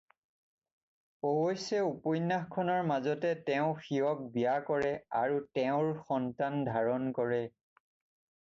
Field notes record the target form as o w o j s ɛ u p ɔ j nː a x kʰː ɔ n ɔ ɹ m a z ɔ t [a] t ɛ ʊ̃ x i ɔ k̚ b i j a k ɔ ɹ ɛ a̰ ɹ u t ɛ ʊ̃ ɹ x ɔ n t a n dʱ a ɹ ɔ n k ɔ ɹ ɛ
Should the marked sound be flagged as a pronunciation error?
yes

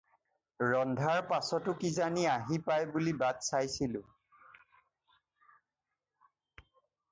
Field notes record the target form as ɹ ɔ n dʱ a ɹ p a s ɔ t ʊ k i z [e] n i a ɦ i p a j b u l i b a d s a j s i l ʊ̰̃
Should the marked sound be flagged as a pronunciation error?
yes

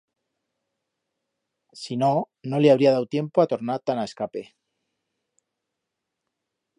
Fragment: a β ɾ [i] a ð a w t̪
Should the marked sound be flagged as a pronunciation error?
no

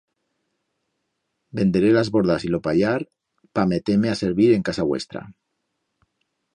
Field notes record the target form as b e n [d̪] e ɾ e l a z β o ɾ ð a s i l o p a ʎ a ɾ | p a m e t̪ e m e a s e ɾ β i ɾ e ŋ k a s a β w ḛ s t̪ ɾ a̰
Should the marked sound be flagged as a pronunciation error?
no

